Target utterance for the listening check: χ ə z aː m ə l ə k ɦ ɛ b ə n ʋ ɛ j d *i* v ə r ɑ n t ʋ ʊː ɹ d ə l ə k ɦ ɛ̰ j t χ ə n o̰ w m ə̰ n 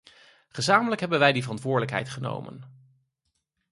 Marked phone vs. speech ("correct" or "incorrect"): correct